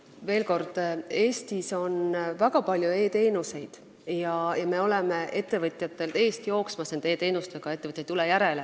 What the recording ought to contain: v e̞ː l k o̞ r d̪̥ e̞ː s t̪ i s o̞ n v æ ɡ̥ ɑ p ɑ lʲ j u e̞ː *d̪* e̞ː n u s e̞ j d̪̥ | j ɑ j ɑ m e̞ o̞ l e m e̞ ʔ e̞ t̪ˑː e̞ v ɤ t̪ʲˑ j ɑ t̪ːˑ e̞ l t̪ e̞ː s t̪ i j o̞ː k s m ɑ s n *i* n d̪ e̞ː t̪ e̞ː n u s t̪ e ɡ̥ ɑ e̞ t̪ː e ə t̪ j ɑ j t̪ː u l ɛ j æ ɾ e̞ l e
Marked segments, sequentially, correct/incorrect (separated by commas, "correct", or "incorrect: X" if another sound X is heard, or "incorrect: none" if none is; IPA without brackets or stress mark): incorrect: t̪, incorrect: e